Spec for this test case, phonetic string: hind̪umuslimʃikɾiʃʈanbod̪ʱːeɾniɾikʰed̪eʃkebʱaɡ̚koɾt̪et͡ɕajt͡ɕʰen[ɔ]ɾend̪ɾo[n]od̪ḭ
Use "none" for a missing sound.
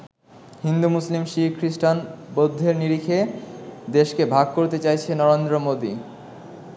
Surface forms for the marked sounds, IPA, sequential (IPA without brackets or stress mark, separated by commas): ɔ, m